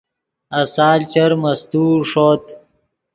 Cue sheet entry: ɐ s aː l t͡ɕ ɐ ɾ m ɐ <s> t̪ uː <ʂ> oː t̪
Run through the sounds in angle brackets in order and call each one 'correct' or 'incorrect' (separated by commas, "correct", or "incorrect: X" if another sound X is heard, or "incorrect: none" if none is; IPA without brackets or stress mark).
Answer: correct, correct